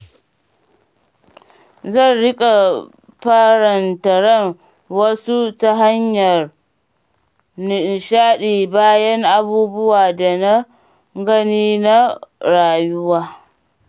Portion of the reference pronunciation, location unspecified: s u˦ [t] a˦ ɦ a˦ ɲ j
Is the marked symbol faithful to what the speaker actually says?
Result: yes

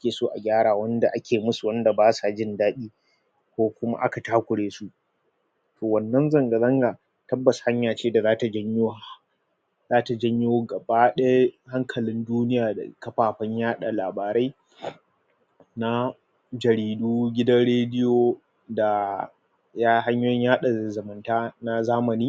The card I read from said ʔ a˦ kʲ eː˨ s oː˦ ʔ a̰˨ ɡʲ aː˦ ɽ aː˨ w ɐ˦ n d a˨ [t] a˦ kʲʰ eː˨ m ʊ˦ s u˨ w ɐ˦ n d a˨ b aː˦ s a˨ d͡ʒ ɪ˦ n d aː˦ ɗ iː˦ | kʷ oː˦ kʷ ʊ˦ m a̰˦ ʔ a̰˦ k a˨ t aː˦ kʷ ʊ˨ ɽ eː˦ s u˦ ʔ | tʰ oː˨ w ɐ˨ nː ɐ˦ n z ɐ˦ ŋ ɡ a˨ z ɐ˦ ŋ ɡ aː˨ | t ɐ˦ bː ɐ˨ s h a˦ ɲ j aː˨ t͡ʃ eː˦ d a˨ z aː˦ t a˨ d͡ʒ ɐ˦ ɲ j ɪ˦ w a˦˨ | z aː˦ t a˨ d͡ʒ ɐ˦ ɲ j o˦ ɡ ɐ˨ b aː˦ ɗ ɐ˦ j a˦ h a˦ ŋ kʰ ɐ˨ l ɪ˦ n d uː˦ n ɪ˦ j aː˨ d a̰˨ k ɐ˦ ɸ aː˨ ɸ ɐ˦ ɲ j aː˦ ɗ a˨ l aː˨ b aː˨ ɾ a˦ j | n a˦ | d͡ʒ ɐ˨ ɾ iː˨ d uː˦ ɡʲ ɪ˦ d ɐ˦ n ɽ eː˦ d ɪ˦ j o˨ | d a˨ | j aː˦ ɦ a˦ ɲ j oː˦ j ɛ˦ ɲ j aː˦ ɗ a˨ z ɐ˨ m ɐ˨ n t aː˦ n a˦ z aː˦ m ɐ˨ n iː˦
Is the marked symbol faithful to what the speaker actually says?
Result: no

